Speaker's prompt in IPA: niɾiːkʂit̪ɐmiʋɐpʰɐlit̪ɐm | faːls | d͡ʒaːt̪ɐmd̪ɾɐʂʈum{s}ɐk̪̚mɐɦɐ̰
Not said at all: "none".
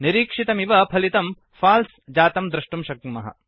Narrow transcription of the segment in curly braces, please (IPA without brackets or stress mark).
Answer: ʃ